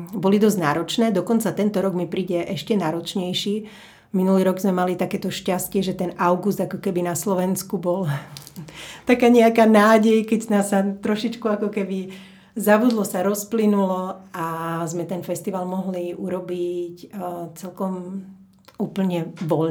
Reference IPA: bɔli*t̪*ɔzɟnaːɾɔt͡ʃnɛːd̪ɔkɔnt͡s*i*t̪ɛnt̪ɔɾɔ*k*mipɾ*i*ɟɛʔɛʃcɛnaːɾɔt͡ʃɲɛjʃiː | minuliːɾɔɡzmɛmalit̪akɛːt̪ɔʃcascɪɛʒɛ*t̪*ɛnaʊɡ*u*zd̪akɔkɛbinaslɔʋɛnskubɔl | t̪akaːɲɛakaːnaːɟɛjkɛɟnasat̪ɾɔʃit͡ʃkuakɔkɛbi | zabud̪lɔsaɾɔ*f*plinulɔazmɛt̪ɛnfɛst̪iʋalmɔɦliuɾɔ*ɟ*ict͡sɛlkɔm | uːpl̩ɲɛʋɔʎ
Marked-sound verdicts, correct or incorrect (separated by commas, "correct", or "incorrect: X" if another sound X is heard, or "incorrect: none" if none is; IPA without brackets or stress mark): incorrect: d̪, incorrect: a, incorrect: ɡ, incorrect: iː, correct, correct, incorrect: s, incorrect: b